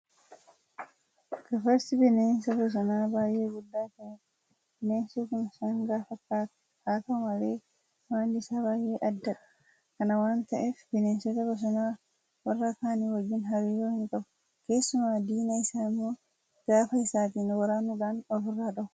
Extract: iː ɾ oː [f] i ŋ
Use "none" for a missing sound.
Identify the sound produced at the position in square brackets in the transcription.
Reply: h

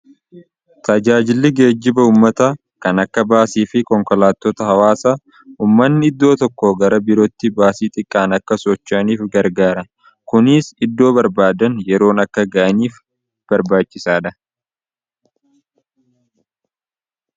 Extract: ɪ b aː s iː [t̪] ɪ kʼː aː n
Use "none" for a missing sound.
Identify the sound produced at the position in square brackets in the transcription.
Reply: t̪ʼ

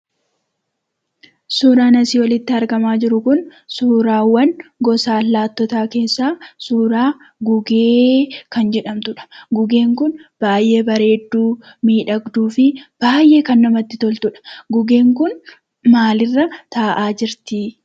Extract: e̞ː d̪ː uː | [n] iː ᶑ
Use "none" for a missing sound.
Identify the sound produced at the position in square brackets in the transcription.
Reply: m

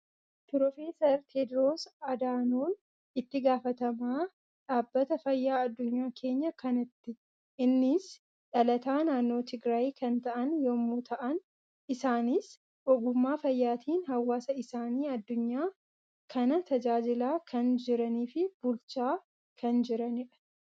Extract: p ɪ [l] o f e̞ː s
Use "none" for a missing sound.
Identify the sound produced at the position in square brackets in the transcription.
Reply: ɾ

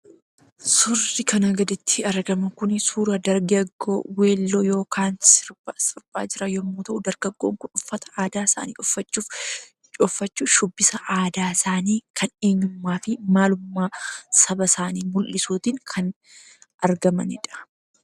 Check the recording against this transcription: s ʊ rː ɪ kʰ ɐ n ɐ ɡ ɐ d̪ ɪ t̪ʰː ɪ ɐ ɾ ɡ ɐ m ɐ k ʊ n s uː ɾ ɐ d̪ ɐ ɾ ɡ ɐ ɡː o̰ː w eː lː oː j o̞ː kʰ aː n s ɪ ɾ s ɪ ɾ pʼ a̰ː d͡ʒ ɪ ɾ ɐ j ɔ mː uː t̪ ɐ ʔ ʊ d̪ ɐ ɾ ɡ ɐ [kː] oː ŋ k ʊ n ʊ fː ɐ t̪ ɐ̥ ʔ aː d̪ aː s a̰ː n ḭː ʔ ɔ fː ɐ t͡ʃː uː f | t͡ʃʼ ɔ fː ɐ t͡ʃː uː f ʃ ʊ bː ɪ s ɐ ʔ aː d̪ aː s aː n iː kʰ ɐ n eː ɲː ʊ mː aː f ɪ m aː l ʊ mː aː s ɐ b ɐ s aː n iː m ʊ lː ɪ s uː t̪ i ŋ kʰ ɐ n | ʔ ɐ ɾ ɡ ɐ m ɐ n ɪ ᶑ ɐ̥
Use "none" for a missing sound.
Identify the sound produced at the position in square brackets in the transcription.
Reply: ɡː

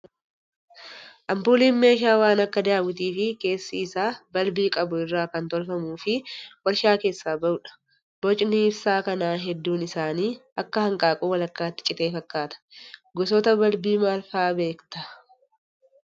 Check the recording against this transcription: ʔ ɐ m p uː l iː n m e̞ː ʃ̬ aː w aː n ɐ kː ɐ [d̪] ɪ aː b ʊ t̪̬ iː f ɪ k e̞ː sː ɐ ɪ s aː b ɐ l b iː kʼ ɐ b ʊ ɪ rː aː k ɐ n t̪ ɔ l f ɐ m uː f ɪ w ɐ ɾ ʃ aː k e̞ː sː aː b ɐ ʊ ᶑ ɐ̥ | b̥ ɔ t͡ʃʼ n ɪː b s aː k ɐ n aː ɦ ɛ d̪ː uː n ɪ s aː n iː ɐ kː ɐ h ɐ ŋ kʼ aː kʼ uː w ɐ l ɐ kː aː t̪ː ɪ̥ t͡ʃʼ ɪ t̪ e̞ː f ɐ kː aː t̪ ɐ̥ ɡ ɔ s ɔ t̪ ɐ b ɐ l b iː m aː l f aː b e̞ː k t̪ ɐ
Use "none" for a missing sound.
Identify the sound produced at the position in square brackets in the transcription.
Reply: d̪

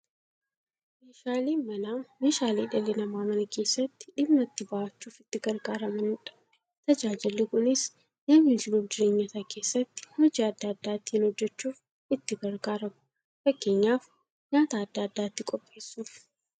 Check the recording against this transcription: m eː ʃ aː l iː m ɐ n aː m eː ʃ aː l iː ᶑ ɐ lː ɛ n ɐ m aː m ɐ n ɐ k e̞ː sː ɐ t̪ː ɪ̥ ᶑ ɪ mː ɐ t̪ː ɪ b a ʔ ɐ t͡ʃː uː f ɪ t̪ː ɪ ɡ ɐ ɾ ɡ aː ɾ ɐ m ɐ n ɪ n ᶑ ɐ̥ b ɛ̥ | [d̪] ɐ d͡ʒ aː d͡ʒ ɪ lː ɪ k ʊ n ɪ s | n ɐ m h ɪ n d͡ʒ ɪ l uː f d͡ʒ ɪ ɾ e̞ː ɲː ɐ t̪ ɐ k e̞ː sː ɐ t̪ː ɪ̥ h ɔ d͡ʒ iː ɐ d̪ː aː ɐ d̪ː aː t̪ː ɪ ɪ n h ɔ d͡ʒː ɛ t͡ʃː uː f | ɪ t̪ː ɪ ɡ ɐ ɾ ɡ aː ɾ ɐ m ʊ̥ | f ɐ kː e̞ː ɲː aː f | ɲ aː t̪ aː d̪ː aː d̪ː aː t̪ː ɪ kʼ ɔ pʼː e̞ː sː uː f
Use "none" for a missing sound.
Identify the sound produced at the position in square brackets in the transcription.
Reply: t̪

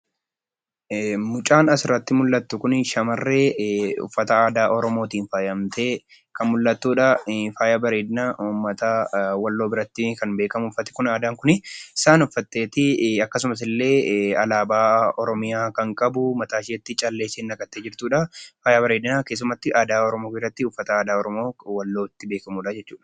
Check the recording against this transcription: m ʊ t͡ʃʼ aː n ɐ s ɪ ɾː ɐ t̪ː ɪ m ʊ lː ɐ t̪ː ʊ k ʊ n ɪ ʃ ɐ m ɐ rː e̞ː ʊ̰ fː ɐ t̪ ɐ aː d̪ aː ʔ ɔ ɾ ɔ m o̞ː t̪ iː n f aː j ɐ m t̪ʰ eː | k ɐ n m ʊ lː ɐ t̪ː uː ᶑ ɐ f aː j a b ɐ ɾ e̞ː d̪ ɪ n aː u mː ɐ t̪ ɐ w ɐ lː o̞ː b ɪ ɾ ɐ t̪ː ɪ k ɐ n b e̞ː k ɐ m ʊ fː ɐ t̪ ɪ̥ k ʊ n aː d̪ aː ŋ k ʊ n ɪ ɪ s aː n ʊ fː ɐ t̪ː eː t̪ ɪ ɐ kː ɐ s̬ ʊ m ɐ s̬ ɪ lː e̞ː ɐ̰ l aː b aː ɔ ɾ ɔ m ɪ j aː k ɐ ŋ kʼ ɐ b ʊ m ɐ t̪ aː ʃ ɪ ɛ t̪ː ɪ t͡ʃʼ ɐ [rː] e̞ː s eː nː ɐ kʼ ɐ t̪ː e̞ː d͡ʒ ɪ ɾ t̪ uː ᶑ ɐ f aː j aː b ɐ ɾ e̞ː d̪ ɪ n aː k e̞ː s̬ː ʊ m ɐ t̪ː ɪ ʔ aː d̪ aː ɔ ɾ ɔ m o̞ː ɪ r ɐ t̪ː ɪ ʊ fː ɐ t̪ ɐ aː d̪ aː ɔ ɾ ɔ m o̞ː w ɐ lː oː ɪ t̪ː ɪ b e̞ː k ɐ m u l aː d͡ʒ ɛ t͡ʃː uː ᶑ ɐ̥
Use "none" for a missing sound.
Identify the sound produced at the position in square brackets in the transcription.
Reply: lː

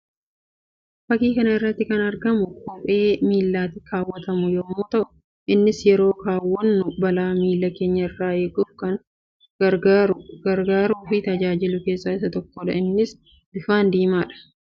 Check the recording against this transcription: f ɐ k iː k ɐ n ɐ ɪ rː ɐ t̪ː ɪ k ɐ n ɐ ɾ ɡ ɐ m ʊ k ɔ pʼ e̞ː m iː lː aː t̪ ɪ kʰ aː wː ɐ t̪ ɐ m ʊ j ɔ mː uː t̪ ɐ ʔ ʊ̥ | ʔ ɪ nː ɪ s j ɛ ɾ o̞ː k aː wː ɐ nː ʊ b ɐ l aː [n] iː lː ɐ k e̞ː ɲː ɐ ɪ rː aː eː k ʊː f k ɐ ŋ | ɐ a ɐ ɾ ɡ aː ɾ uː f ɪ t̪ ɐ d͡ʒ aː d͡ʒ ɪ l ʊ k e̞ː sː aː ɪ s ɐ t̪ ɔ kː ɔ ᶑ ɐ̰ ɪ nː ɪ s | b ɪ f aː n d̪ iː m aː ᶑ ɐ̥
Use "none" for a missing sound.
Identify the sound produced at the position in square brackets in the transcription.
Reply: m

